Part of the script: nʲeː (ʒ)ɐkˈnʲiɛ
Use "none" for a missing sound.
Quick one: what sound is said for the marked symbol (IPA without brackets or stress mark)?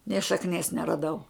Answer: ʃ